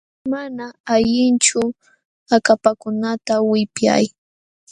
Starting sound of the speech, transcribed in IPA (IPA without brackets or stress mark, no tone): m